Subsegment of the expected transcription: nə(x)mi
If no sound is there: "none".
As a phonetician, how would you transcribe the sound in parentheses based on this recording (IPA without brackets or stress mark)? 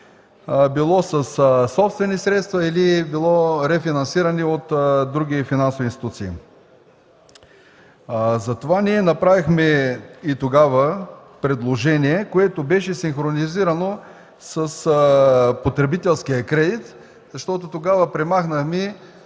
x